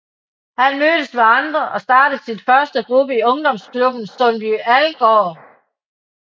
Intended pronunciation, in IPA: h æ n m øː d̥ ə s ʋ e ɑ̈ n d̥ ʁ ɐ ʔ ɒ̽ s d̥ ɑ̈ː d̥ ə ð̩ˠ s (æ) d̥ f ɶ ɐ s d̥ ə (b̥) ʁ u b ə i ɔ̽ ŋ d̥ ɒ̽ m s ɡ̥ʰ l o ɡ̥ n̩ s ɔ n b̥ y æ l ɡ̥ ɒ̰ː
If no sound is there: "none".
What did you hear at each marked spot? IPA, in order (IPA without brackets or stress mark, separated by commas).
i, ɡ̥